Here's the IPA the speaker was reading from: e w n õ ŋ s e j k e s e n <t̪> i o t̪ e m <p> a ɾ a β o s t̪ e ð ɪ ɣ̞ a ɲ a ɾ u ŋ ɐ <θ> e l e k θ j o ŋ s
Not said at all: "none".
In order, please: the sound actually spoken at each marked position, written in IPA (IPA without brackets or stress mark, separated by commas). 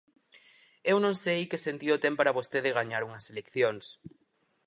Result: t̪, p, s